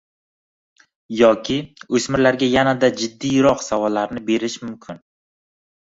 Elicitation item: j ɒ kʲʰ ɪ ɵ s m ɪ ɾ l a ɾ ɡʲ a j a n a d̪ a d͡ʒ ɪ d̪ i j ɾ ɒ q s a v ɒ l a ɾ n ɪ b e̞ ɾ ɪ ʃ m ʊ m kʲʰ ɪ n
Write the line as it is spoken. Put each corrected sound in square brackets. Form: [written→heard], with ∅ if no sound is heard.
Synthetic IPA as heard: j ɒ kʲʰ ɪ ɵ s m ɪ ɾ l a ɾ ɡʲ a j a n a d̪ a d͡ʒ ɪ [d̪→d̪ː] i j ɾ ɒ q s a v ɒ [l→lː] a ɾ n ɪ b e̞ ɾ ɪ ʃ m ʊ m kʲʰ ɪ n